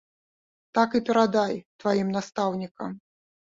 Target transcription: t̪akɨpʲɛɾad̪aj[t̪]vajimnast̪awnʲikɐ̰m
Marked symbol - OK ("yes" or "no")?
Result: yes